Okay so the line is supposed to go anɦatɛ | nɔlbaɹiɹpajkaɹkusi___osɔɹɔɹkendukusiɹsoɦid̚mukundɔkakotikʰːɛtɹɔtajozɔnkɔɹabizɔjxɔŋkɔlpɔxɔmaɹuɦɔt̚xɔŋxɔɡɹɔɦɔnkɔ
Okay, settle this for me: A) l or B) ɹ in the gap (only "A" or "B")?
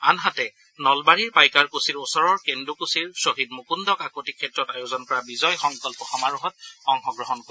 B